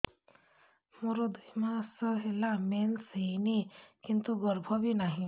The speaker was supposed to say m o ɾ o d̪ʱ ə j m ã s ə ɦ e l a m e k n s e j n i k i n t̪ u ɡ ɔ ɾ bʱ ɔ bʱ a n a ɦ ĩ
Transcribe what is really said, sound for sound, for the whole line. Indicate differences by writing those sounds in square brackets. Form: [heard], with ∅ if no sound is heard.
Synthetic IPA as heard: m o ɾ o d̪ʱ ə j m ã s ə ɦ e l a m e [∅] n s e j n i k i n t̪ u ɡ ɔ ɾ bʱ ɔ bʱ [i] n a ɦ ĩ